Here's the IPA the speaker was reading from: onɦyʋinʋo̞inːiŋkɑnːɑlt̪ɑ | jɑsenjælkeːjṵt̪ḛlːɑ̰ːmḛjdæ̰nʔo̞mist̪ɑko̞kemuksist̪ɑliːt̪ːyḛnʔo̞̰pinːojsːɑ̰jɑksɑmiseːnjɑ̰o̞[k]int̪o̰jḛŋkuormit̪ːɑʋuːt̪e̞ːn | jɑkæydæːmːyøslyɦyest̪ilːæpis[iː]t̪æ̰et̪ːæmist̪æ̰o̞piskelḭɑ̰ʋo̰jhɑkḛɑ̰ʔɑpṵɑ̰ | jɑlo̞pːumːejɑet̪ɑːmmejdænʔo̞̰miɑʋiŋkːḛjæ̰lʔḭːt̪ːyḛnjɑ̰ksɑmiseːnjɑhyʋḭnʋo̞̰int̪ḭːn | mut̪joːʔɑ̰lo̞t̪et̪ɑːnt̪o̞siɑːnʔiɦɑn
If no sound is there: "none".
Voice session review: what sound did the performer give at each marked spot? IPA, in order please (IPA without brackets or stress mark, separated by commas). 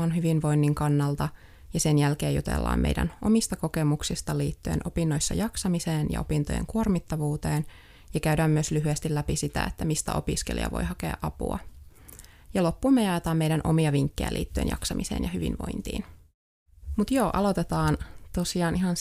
p, i